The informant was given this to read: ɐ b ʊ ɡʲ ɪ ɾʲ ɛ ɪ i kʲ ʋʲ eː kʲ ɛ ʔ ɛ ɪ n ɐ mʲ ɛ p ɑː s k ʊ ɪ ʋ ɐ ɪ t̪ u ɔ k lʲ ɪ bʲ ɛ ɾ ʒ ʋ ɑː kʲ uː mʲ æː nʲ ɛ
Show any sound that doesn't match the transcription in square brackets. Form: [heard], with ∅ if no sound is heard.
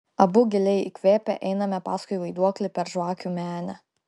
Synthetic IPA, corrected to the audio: ɐ b ʊ ɡʲ ɪ [lʲ] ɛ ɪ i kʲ ʋʲ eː [pʲ] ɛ ʔ ɛ ɪ n ɐ mʲ ɛ p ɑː s k ʊ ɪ ʋ ɐ ɪ [d̪] u ɔ k lʲ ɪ [pʲ] ɛ ɾ ʒ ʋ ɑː kʲ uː mʲ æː nʲ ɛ